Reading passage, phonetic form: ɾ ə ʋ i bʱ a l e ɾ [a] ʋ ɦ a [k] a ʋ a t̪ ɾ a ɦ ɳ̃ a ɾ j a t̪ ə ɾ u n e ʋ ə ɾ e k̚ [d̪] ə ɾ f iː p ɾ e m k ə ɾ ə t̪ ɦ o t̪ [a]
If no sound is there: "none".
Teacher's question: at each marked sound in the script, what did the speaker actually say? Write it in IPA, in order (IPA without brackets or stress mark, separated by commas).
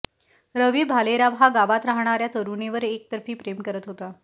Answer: a, ɡ, t̪, a